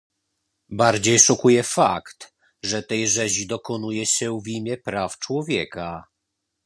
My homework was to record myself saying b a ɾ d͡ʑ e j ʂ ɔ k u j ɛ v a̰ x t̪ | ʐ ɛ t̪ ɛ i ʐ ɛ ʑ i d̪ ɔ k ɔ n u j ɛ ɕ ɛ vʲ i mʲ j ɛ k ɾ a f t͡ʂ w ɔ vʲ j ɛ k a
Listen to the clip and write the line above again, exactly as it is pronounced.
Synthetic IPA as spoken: b a ɾ d͡ʑ e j ʂ ɔ k u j ɛ f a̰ k t̪ | ʐ ɛ t̪ ɛ j ʐ ɛ ʑ i d̪ ɔ k ɔ n u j ɛ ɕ ɛ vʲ i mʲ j ɛ p ɾ a f t͡ʂ w ɔ vʲ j ɛ k a

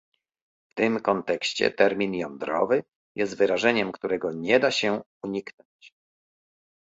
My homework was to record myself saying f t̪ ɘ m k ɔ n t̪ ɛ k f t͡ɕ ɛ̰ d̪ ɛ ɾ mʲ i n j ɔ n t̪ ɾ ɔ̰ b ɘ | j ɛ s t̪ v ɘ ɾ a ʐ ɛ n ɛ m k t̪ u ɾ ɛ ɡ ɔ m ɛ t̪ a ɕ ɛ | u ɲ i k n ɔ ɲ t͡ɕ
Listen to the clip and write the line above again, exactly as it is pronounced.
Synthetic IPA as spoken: f t̪ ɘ m k ɔ n t̪ ɛ k ɕ t͡ɕ ɛ̰ t̪ ɛ ɾ mʲ i n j ɔ n d̪ ɾ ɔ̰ v ɘ | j ɛ s t̪ v ɘ ɾ a ʐ ɛ ɲ ɛ m k t̪ u ɾ ɛ ɡ ɔ ɲ ɛ d̪ a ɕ ɛ | u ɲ i k n ɔ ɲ t͡ɕ

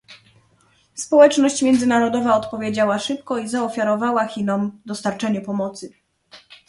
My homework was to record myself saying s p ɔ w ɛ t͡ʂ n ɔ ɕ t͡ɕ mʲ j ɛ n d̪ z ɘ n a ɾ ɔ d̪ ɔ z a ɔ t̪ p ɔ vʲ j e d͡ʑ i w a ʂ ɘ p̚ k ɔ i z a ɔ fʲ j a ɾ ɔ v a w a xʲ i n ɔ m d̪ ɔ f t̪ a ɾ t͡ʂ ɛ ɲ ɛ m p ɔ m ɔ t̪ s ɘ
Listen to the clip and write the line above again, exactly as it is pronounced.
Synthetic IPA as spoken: s p ɔ w ɛ t͡ʂ n ɔ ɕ t͡ɕ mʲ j ɛ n d̪ z ɘ n a ɾ ɔ d̪ ɔ v a ɔ t̪ p ɔ vʲ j e d͡ʑ a w a ʂ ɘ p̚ k ɔ i z a ɔ fʲ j a ɾ ɔ v a w a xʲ i n ɔ m d̪ ɔ s t̪ a ɾ t͡ʂ ɛ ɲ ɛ p ɔ m ɔ t̪ s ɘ

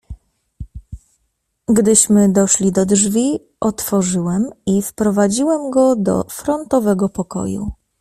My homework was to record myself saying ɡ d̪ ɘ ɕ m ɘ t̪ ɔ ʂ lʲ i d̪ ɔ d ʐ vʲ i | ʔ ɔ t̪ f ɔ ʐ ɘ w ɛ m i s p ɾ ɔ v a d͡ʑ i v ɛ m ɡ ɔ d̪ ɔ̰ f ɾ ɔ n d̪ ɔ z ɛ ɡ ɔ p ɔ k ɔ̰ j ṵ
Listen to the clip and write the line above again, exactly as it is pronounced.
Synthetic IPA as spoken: ɡ d̪ ɘ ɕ m ɘ d̪ ɔ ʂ lʲ i d̪ ɔ d ʐ vʲ i | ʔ ɔ t̪ f ɔ ʐ ɘ w ɛ m i f p ɾ ɔ v a d͡ʑ i w ɛ m ɡ ɔ d̪ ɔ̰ f ɾ ɔ n t̪ ɔ v ɛ ɡ ɔ p ɔ k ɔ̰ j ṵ

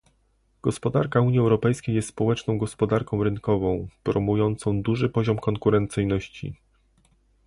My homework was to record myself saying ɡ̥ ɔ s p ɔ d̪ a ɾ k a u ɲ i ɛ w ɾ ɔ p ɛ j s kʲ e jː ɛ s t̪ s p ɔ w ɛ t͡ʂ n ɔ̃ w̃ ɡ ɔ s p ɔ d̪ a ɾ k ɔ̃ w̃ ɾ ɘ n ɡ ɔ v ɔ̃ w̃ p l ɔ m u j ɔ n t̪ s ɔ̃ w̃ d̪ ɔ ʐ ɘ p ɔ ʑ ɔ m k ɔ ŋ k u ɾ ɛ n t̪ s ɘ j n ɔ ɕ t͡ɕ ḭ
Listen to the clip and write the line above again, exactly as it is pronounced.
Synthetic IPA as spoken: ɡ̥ ɔ s p ɔ d̪ a ɾ k a u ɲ i ɛ w ɾ ɔ p ɛ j s kʲ e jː ɛ s t̪ s p ɔ w ɛ t͡ʂ n ɔ̃ w̃ ɡ ɔ s p ɔ d̪ a ɾ k ɔ̃ w̃ ɾ ɘ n k ɔ v ɔ̃ w̃ p ɾ ɔ m u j ɔ n t̪ s ɔ̃ w̃ d̪ u ʐ ɘ p ɔ ʑ ɔ m k ɔ ŋ k u ɾ ɛ n t̪ s ɘ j n ɔ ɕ t͡ɕ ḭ

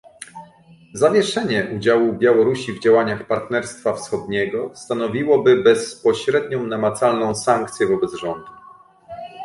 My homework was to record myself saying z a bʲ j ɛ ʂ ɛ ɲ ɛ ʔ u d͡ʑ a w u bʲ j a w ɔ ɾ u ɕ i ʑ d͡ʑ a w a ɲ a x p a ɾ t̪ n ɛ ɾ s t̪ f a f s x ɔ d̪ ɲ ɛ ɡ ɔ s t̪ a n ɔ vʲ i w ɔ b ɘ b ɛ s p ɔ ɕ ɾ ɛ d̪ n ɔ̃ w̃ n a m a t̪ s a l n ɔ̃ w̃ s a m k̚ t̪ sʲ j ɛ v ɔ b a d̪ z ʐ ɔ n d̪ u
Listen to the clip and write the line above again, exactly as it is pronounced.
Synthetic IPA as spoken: z a vʲ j ɛ ʂ ɛ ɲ ɛ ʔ u d͡ʑ a w u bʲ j a w ɔ ɾ u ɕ i v d͡ʑ a w a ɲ a x p a ɾ t̪ n ɛ ɾ s t̪ f a f s x ɔ d̪ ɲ ɛ ɡ ɔ s t̪ a n ɔ vʲ i w ɔ b ɘ b ɛ s p ɔ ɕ ɾ ɛ d̪ ɲ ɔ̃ w̃ n a m a t̪ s a l n ɔ̃ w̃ s a ŋ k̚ t̪ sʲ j ɛ v ɔ b ɛ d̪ z ʐ ɔ n d̪ u

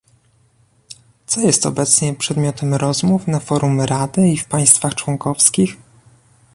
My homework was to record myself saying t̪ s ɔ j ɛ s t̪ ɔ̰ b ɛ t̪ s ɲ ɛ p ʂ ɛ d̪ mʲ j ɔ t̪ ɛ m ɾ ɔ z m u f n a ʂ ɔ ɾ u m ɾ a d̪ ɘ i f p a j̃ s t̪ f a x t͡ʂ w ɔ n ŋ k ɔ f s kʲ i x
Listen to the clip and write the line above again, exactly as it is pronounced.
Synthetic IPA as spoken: t̪ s ɔ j ɛ s t̪ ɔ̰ b ɛ t̪ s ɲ ɛ p ʂ ɛ d̪ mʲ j ɔ t̪ ɛ m ɾ ɔ z m u f n a f ɔ ɾ u m ɾ a d̪ ɘ i f p a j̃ s t̪ f a x t͡ʂ w ɔ ŋ k ɔ f s kʲ i x

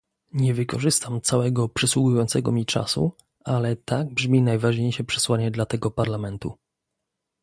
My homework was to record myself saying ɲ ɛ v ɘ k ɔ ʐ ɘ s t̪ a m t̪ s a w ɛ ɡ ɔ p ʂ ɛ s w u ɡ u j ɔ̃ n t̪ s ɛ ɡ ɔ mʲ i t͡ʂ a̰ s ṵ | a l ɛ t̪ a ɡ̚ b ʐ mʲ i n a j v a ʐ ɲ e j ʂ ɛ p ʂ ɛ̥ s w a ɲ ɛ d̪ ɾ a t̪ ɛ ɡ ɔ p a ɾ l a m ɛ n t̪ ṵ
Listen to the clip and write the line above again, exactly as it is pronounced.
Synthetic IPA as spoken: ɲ ɛ v ɘ k ɔ ʐ ɘ s t̪ a m t̪ s a w ɛ ɡ ɔ p ʂ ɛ s w u ɡ u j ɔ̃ n t̪ s ɛ ɡ ɔ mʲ i t͡ʂ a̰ s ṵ | a l ɛ t̪ a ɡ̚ b ʐ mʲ i n a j v a ʐ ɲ e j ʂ ɛ p ʂ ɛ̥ s w a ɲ ɛ d̪ l a t̪ ɛ ɡ ɔ p a ɾ l a m ɛ n t̪ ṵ

